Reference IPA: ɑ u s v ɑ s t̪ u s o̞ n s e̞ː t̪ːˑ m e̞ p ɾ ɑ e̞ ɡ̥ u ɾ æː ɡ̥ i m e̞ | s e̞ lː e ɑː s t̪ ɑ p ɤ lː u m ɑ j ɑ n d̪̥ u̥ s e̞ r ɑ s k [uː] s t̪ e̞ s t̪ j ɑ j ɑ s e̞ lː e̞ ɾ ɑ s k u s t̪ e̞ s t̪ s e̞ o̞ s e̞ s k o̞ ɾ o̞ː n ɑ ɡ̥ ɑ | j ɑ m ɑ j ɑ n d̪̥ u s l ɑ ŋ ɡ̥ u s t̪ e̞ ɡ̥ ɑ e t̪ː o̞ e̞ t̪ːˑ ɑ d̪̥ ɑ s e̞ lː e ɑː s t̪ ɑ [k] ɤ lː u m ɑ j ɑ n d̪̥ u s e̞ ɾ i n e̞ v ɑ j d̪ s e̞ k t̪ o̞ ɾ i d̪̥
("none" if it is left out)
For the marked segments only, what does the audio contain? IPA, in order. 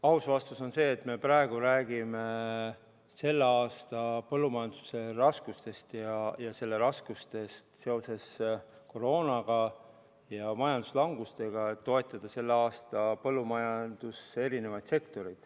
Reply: u, p

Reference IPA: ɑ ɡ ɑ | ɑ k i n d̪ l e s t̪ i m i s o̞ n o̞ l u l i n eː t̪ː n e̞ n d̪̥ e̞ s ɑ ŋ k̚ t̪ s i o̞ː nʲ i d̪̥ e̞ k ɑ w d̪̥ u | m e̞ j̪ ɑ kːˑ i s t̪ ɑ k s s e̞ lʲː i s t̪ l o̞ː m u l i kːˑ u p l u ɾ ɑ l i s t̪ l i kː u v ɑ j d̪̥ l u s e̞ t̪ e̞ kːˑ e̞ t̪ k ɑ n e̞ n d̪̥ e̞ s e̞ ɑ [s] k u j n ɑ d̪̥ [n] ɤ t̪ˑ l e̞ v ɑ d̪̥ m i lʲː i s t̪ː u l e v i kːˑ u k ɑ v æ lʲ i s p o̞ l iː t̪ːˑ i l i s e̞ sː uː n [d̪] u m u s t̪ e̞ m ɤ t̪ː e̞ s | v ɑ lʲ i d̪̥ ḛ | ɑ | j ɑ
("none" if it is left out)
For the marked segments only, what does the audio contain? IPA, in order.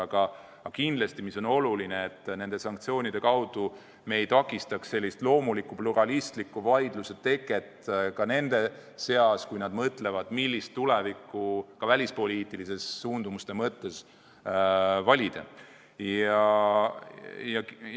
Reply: s, m, d̪

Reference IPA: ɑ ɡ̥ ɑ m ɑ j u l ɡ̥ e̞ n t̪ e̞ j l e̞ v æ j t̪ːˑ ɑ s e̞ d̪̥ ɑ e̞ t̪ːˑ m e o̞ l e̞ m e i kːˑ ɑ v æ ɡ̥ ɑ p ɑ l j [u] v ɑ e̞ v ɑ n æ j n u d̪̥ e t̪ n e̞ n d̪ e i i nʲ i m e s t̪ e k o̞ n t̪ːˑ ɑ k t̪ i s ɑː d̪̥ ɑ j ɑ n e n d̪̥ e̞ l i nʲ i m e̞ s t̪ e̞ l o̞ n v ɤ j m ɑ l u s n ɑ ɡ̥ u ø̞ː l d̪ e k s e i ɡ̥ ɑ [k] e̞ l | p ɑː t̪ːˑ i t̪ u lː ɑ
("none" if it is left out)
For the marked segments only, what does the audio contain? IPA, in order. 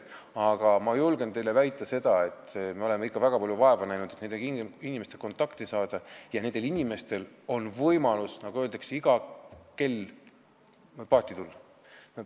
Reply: u, k

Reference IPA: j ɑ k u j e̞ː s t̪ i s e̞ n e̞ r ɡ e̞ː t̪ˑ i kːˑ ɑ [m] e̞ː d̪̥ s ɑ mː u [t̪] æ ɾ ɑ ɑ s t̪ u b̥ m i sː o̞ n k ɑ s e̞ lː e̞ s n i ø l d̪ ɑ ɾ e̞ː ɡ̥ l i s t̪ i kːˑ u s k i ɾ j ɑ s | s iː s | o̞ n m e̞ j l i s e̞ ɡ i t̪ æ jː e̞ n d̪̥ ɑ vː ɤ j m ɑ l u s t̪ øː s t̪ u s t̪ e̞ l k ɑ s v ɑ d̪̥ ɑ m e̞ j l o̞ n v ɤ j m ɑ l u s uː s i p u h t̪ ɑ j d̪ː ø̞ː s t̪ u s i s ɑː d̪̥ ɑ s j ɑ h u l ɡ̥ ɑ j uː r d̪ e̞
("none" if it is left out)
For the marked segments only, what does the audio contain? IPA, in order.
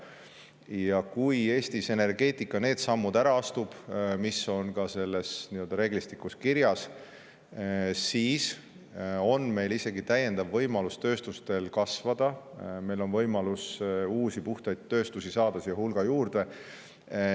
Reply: n, d̪

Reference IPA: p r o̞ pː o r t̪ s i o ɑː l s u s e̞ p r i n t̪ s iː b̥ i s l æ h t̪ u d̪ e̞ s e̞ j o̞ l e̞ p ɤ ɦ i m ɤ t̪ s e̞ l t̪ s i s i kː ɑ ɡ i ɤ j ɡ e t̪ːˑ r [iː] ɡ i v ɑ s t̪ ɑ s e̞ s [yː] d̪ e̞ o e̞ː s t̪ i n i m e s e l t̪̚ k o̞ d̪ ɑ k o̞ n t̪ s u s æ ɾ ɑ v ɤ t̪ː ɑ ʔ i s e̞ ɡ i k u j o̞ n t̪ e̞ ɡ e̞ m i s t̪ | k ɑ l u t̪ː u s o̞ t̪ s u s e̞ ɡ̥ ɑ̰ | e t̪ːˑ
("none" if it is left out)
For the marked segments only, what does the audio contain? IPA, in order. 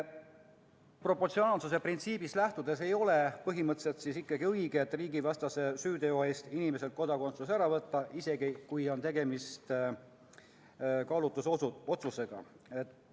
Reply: iː, yː

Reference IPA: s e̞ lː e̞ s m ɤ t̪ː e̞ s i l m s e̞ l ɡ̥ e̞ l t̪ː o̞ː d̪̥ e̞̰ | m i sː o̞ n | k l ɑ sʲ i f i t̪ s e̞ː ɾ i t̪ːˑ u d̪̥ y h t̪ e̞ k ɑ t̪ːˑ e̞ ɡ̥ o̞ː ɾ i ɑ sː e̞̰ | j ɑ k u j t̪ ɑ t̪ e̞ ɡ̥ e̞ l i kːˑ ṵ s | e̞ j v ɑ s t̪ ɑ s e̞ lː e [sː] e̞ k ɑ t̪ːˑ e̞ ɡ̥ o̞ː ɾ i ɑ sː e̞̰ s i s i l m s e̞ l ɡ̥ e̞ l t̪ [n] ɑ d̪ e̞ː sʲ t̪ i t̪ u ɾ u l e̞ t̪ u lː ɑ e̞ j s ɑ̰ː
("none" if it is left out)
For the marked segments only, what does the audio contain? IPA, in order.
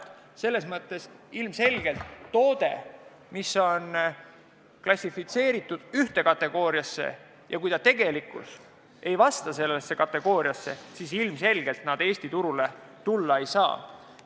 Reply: sː, n

